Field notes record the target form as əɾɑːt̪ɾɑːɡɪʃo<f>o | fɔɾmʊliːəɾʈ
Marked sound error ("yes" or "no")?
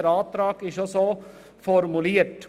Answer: yes